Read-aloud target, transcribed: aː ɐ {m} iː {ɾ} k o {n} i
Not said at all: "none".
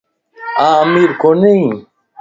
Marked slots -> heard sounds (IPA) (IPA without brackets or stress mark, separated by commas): m, ɾ, n